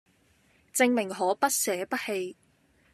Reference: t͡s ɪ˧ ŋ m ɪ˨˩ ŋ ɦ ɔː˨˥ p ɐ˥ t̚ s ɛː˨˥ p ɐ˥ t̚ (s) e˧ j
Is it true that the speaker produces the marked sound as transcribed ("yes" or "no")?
no